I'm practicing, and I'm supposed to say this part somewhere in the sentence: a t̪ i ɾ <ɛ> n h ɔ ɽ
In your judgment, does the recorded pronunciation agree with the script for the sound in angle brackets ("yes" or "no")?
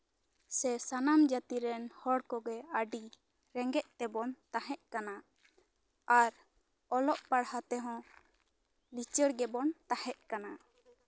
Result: yes